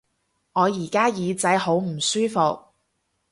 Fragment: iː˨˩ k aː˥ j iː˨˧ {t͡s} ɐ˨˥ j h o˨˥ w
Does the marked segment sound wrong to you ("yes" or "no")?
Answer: no